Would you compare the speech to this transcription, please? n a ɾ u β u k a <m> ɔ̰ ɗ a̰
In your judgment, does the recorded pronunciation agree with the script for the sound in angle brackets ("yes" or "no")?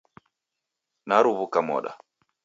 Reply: yes